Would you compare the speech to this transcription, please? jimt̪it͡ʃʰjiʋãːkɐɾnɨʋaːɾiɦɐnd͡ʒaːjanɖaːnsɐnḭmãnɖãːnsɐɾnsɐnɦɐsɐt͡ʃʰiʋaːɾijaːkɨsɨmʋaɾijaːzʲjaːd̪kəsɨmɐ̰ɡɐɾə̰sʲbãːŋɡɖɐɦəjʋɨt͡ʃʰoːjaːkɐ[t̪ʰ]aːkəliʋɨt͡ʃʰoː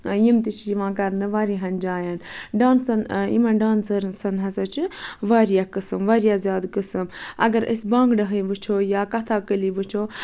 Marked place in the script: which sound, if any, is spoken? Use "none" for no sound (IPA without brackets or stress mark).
t̪ʰ